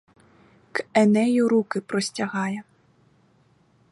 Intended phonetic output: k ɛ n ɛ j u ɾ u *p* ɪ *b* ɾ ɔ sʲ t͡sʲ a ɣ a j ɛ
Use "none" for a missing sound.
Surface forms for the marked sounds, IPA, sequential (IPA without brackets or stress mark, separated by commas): k, p